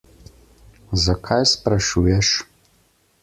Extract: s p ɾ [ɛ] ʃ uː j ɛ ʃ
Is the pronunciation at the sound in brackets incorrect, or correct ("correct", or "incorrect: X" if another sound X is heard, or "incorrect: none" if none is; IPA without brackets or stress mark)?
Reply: incorrect: a